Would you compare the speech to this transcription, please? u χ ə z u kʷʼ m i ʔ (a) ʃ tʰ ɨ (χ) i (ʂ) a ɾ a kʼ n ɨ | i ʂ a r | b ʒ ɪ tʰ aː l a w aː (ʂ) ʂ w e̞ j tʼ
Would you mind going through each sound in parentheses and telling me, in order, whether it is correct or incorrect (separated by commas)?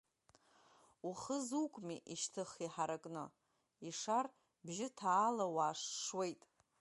incorrect, correct, incorrect, correct